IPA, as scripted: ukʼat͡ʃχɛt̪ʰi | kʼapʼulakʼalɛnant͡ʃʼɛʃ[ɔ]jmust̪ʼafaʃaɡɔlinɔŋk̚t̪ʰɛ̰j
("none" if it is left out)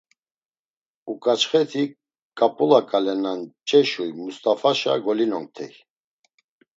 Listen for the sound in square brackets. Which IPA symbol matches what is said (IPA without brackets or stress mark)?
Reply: u